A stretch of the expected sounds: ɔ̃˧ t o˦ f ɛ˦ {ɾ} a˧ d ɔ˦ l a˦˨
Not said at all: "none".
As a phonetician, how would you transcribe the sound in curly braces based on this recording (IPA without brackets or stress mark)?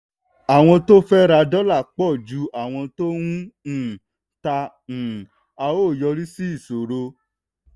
ɾ